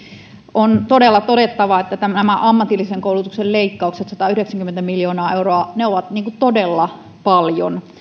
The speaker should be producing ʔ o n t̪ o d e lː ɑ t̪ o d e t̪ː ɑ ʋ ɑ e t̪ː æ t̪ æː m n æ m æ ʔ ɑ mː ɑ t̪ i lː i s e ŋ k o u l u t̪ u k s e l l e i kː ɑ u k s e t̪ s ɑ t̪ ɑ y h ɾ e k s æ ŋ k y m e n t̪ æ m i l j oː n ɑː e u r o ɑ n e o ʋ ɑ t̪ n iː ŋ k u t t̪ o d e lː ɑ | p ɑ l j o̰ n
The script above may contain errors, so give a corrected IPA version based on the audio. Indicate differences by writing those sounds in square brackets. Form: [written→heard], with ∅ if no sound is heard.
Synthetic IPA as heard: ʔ o n t̪ o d e lː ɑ t̪ o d e t̪ː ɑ ʋ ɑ e t̪ː æ t̪ [æː→æ] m n æ m æ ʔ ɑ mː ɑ t̪ i lː i s e ŋ k o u l u t̪ u k s e l l e i kː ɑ u k s e t̪ s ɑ t̪ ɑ y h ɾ e k s æ ŋ k y m e n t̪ æ m i l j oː n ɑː e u r o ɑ n e o ʋ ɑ t̪ n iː ŋ k u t t̪ o d e lː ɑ | p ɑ l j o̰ n